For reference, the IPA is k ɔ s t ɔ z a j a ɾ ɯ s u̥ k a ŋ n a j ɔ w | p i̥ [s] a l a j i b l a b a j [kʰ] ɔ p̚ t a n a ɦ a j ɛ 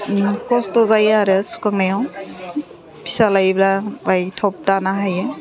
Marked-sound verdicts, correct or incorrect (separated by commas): correct, incorrect